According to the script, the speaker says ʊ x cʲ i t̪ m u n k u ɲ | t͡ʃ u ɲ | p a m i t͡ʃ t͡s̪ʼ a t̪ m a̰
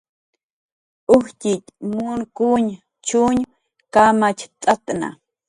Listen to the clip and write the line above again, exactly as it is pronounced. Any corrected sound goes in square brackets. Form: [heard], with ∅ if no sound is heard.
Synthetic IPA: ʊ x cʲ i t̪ m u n k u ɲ | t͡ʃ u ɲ | [k] a m [a] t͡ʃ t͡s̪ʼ a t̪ [n] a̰